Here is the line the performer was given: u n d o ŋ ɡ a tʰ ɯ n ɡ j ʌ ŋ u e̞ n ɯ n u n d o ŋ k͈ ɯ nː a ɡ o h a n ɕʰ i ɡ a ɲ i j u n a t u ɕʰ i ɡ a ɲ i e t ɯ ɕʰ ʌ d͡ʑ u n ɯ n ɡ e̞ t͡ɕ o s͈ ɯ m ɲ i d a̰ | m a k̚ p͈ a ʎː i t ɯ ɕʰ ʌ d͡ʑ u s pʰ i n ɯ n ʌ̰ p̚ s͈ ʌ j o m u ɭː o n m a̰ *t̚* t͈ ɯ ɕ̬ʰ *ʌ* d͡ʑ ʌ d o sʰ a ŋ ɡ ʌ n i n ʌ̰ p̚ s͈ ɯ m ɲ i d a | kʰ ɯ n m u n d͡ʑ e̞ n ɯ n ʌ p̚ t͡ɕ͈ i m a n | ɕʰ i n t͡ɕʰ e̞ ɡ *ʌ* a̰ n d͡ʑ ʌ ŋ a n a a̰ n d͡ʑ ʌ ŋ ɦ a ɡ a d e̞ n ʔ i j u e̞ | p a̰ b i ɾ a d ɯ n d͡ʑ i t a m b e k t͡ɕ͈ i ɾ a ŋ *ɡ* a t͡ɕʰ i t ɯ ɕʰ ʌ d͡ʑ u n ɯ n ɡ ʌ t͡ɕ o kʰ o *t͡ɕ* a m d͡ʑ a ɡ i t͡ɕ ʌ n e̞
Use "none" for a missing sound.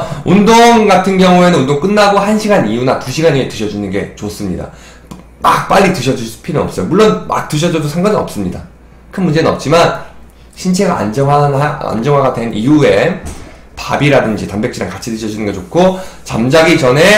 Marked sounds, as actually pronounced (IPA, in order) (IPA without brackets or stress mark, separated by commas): k̚, ʌ, a, k, t͡ɕ